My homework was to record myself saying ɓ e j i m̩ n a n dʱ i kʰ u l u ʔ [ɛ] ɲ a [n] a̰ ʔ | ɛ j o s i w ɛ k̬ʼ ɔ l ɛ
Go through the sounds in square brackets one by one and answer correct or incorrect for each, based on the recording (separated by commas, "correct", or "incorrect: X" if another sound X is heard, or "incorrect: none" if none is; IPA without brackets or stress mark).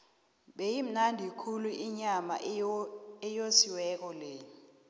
incorrect: i, incorrect: m